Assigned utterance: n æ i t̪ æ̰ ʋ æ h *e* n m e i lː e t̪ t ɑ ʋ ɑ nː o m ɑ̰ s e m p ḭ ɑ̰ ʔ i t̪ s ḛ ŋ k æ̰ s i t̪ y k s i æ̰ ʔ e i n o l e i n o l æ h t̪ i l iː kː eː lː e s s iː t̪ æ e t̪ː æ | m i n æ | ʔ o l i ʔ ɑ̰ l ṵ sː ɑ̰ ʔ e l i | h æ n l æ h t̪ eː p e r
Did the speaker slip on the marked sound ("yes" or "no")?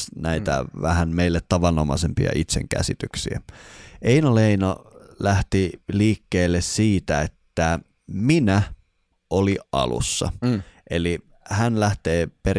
yes